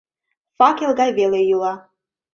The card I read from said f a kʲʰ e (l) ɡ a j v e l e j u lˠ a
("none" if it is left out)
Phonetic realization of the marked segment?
l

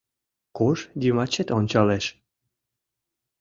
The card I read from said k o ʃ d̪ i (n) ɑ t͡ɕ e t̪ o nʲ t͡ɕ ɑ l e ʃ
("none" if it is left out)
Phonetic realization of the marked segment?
m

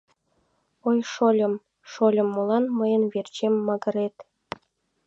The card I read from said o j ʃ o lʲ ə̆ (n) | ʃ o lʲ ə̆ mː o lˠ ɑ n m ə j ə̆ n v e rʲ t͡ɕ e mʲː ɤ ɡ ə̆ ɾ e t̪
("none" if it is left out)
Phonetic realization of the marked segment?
m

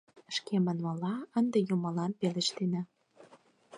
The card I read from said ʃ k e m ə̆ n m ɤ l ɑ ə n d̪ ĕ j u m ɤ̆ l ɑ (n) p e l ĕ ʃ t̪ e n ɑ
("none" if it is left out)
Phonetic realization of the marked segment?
n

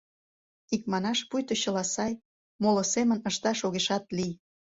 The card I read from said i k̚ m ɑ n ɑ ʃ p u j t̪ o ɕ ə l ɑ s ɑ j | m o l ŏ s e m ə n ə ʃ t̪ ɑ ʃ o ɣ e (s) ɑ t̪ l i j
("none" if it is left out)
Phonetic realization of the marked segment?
ʃ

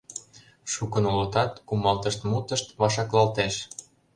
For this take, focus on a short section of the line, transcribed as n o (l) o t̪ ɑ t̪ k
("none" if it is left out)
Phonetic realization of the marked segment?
l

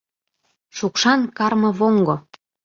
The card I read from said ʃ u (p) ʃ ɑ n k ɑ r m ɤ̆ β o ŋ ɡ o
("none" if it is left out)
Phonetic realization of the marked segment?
k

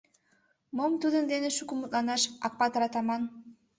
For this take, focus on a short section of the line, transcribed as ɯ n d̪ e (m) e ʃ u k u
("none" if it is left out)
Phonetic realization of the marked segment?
n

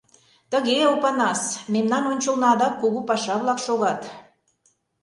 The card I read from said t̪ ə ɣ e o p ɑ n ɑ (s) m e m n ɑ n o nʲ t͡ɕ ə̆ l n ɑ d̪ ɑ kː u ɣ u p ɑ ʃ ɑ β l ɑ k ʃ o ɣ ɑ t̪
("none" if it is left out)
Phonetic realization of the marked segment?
s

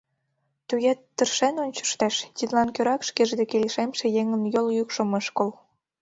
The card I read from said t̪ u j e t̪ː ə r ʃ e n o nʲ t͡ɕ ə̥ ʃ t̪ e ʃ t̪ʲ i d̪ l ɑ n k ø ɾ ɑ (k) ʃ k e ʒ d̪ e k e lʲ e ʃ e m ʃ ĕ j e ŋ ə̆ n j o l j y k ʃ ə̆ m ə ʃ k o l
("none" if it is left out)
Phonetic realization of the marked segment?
k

